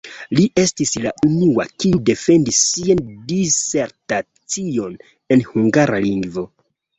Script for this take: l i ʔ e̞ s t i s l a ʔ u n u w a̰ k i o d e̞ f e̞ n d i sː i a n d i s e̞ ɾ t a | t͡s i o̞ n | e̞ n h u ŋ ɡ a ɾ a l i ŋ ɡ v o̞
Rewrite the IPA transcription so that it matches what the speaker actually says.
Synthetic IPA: l i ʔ e̞ s t i s l a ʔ u n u w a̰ k i u d e̞ f e̞ n d i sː i a n d i s e̞ ɾ t a | t͡s i o̞ n | e̞ n h u ŋ ɡ a ɾ a l i ŋ ɡ v o̞